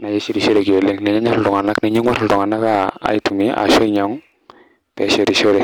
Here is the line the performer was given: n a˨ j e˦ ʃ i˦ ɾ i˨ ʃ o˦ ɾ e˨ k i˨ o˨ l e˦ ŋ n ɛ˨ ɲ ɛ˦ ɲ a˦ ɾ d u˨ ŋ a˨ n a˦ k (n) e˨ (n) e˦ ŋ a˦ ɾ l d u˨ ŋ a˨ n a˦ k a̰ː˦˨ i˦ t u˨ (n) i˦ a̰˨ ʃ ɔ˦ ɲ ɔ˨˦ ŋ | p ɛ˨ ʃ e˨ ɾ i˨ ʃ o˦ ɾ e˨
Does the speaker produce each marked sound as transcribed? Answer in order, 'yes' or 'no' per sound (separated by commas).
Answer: yes, no, no